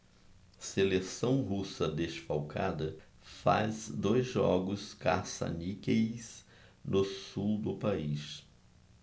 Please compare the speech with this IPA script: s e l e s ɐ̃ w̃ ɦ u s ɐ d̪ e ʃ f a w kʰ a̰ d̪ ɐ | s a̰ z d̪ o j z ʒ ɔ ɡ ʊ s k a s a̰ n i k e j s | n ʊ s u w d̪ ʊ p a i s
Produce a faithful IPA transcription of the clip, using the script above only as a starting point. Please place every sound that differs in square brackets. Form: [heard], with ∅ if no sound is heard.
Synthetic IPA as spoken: s e l e s ɐ̃ w̃ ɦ u s ɐ d̪ e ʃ f a w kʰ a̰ d̪ ɐ | [f] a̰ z d̪ o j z ʒ ɔ ɡ ʊ s k a s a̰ n i k e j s | n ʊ s u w d̪ ʊ p a i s